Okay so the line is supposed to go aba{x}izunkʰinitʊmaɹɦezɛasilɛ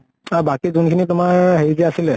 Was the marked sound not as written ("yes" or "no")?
yes